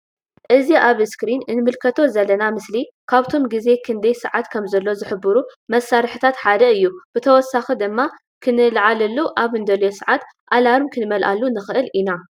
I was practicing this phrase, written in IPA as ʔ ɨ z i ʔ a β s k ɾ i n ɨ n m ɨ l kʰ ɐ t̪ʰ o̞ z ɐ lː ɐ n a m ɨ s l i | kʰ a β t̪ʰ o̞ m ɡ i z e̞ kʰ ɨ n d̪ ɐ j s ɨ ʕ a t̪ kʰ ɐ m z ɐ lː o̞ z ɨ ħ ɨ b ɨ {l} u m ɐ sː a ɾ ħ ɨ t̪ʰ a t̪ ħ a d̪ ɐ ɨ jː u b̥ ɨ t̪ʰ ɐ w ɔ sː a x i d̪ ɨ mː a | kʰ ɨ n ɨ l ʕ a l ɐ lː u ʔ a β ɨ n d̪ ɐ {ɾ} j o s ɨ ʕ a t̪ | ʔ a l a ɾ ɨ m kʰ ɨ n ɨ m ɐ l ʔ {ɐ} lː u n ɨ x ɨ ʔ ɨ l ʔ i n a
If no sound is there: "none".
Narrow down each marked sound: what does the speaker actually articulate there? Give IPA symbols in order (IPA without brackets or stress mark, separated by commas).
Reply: ɾ, l, a